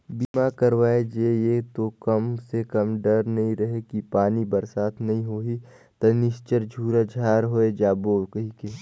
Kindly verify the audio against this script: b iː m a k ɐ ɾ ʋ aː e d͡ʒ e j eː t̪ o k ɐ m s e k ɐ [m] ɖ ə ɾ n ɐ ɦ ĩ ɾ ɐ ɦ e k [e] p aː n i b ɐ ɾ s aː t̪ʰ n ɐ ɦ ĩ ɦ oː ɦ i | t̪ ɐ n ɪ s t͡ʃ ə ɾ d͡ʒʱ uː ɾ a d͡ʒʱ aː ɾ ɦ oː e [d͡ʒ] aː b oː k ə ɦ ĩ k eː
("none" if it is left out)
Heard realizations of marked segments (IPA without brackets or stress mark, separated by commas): m, i, d͡ʒ